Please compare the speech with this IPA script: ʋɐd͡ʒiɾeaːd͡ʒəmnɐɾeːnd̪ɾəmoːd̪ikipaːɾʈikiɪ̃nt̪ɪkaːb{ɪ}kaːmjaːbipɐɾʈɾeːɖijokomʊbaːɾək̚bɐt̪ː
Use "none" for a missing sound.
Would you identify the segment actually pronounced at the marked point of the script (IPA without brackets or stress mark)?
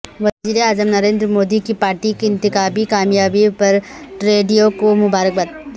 i